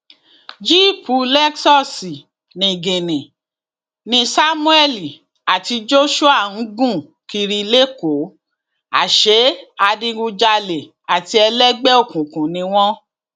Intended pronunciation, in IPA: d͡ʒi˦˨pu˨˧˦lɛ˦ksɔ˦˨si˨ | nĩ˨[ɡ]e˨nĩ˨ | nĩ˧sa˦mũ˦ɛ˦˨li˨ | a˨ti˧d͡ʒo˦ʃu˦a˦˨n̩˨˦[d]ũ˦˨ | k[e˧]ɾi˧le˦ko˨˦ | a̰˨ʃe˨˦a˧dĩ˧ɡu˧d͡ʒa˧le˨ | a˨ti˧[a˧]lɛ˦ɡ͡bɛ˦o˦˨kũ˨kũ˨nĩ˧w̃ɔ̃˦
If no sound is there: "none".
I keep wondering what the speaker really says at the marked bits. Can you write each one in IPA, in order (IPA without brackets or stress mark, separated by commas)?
ɡ, ɡ, i˧, ɛ˧